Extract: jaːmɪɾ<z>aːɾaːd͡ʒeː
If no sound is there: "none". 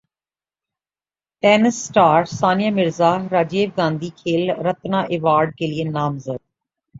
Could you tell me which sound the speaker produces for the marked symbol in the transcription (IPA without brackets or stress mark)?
z